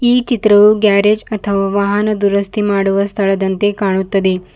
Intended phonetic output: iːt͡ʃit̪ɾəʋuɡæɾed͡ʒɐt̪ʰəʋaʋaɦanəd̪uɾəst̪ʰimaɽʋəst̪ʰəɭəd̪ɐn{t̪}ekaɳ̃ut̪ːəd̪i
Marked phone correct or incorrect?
correct